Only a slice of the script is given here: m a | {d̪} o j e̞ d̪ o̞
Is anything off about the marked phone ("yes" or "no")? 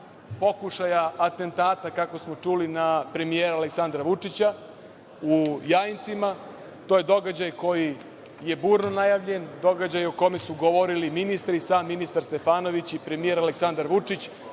yes